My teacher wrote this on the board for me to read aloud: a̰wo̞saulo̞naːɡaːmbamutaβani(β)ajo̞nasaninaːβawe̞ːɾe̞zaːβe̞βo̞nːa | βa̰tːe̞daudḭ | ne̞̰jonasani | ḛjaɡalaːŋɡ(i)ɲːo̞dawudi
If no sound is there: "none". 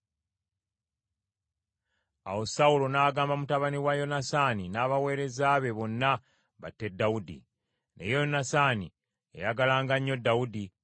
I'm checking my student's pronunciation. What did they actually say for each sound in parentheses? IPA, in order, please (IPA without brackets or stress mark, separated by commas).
w, a